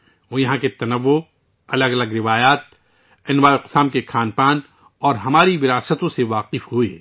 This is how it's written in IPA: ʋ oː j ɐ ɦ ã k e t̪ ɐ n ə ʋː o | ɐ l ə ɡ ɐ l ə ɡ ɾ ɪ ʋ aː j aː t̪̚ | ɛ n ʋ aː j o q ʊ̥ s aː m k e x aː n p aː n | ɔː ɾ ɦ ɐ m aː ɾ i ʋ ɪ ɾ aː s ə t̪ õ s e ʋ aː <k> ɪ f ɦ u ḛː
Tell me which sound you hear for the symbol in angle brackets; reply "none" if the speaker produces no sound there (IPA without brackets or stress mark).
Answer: q